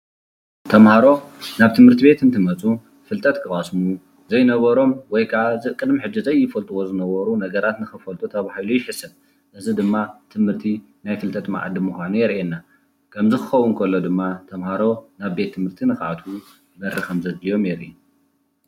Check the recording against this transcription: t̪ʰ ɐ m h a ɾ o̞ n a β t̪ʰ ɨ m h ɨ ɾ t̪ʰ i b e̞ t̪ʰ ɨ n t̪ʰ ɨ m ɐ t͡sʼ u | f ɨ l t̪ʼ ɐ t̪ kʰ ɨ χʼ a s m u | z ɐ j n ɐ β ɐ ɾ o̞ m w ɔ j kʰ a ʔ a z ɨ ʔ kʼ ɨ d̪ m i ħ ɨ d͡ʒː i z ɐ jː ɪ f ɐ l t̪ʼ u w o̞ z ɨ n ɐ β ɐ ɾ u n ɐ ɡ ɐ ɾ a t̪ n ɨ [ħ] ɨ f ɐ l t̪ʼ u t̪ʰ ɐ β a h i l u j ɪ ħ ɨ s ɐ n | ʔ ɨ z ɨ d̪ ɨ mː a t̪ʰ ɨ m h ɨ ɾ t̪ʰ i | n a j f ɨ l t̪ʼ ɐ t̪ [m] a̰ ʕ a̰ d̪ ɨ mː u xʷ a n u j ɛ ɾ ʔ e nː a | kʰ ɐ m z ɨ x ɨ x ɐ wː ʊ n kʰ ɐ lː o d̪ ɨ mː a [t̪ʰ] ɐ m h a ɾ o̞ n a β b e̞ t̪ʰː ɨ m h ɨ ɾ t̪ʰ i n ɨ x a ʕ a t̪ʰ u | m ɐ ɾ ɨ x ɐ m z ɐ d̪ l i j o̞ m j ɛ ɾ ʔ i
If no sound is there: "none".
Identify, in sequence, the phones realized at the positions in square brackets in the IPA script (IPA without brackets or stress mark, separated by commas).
x, m, t̪ʰ